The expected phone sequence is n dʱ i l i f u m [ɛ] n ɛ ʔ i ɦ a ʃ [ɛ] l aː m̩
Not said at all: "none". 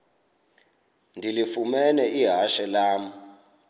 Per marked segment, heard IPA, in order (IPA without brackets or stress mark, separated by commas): ɛ, ɛ